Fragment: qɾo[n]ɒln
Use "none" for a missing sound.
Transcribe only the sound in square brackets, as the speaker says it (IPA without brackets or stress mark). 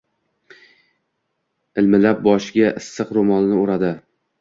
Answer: m